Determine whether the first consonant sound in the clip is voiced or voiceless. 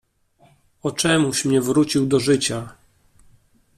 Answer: voiceless